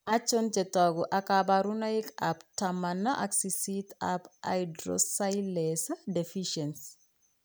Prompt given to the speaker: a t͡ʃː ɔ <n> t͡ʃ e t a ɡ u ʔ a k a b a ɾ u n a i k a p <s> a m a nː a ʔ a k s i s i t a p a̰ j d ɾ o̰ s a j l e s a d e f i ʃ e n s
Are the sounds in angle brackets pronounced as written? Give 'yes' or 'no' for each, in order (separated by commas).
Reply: yes, no